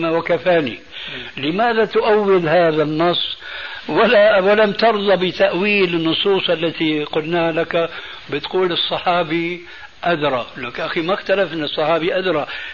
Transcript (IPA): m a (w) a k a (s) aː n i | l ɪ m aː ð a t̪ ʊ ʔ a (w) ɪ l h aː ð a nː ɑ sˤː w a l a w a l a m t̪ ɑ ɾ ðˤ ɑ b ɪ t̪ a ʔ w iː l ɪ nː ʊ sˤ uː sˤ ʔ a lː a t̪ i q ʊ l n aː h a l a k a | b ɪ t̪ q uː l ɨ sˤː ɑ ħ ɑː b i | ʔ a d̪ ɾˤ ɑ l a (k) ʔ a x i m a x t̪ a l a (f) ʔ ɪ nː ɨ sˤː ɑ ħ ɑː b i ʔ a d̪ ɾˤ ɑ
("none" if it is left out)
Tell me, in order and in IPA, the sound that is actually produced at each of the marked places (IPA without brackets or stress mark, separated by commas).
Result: w, f, wː, k, f